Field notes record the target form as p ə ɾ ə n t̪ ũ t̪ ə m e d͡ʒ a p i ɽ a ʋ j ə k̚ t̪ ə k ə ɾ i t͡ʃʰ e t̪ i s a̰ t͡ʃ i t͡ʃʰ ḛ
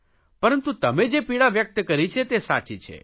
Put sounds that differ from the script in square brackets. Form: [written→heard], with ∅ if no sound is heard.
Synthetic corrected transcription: p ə ɾ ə n t̪ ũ t̪ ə m e d͡ʒ [a→e] p i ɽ a ʋ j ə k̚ t̪ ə k ə ɾ i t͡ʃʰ e t̪ [i→e] s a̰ t͡ʃ i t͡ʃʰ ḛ